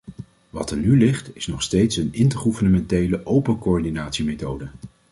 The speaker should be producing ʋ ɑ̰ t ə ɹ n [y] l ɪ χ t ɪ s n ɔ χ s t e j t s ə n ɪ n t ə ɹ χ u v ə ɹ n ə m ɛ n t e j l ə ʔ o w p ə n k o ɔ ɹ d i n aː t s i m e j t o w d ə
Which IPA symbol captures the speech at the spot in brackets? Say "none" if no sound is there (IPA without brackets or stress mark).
y